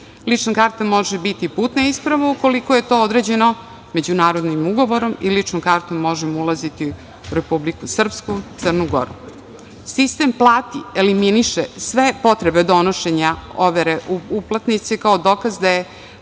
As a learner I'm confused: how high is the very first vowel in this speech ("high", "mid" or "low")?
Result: high